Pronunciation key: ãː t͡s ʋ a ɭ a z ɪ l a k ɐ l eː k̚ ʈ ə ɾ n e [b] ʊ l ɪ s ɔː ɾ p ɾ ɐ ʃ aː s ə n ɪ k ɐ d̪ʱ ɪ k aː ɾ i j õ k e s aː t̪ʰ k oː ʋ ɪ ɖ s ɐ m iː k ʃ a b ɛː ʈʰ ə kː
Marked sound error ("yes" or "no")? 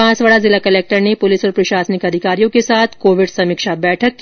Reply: yes